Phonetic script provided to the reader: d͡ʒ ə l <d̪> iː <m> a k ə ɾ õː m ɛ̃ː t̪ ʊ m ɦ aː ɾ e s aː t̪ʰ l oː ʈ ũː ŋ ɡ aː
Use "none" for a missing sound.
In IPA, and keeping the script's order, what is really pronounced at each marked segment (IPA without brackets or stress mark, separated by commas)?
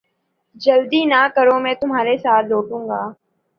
d̪, n